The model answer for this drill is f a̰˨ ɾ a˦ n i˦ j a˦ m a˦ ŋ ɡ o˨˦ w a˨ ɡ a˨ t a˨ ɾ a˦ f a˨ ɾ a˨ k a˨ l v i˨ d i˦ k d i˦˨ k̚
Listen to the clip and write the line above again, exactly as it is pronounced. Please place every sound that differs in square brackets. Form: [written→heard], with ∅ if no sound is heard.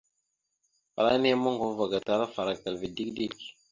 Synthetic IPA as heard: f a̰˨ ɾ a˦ n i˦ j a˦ m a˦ ŋ ɡ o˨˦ [w→v] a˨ ɡ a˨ t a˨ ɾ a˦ f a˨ ɾ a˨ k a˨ l v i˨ d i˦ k d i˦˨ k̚